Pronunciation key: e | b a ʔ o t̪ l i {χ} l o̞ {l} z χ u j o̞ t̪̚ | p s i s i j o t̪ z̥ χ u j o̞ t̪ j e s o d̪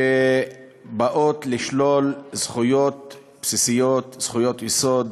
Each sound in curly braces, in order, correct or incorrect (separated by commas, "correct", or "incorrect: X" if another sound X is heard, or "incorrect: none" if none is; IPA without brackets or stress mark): incorrect: ʃ, correct